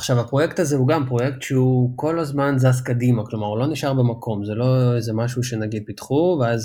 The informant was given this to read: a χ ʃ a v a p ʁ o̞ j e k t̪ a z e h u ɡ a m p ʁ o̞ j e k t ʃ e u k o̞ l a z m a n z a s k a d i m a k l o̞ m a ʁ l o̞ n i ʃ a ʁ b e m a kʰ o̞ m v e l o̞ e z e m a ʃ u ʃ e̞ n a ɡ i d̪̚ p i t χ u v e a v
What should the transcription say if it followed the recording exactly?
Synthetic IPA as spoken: a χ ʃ a v a p ʁ o̞ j e k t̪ a z e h u ɡ a m p ʁ o̞ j e k t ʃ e u k o̞ l a z m a n z a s k a d i m a k l o̞ m a ʁ l o̞ n i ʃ a ʁ b e m a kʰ o̞ m z e l o̞ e z e m a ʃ u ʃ e̞ n a ɡ i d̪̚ p i t χ u v e a z